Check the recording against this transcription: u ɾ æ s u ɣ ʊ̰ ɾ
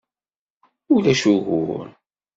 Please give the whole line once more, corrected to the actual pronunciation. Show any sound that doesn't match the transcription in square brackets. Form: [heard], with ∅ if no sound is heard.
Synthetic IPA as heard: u [l] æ [ʃ] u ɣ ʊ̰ ɾ